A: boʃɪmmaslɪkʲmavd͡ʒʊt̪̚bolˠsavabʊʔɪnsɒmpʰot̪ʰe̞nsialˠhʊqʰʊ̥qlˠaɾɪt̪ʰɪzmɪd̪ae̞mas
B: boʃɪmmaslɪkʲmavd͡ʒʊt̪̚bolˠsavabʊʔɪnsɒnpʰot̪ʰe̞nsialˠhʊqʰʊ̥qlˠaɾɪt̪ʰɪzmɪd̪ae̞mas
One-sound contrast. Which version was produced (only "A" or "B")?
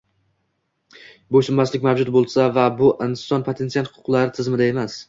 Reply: B